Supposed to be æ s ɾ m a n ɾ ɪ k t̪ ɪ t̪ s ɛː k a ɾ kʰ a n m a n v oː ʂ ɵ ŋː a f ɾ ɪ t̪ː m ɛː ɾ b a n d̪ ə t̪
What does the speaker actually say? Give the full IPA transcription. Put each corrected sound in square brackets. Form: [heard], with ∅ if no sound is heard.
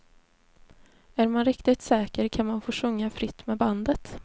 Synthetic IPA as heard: æ [∅] ɾ m a n ɾ ɪ k t̪ ɪ t̪ s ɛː k [ə] ɾ kʰ a n m a n [f] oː ʂ ɵ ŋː a f ɾ ɪ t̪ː m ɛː [∅] b a n d̪ ə t̪